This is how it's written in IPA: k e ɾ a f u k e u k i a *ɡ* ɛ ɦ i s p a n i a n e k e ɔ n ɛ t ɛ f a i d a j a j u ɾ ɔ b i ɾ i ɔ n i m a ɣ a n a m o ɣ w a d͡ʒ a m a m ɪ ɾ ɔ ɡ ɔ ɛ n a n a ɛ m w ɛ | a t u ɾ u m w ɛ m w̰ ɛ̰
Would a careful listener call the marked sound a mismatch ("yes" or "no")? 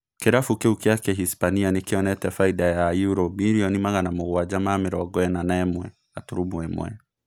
yes